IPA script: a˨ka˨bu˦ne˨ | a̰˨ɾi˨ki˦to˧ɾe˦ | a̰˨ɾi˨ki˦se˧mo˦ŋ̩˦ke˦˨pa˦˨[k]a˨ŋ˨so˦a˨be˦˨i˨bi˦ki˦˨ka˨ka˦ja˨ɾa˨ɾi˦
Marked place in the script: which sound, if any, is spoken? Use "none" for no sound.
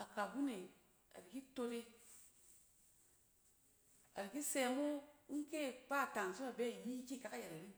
t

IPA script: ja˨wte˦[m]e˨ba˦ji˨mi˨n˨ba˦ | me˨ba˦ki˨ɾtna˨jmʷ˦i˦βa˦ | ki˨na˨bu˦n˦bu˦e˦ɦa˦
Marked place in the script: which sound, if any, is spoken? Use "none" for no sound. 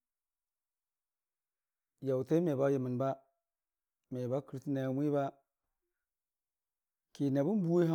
m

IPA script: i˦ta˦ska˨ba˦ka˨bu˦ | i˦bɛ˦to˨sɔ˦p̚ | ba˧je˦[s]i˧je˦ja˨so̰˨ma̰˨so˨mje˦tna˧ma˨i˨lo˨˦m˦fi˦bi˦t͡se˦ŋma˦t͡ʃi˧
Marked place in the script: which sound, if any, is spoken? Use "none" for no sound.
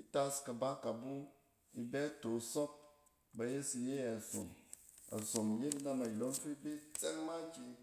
s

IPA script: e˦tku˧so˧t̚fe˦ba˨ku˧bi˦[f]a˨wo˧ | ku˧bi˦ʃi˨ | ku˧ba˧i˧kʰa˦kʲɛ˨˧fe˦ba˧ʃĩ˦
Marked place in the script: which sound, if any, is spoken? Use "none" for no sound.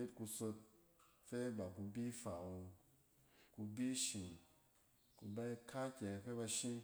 f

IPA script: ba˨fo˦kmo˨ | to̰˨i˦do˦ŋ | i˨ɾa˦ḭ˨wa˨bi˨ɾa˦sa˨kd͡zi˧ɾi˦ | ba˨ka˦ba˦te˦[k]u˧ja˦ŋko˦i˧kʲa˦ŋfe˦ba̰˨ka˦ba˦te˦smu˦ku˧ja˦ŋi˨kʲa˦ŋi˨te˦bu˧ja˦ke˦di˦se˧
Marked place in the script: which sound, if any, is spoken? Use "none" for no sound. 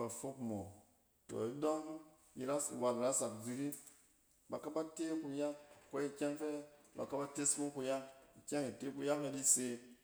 k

